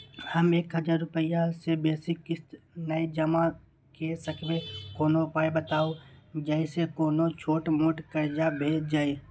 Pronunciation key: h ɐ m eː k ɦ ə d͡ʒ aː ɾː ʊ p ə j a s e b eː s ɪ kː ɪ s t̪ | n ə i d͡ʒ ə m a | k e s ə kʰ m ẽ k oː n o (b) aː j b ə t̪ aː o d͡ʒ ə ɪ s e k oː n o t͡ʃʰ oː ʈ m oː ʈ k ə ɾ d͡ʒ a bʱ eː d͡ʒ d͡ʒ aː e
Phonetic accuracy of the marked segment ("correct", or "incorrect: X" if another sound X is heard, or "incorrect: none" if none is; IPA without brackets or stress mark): incorrect: p